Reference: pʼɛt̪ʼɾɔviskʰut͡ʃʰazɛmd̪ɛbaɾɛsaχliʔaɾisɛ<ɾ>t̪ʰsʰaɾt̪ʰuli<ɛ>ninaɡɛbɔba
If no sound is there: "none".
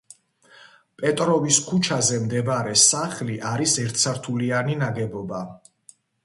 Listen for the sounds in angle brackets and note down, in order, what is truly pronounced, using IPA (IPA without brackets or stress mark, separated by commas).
ɾ, a